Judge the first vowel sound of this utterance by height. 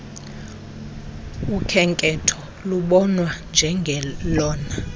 high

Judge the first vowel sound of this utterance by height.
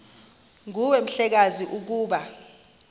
high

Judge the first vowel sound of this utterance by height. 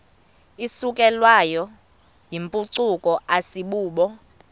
high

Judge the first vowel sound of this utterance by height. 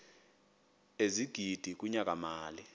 mid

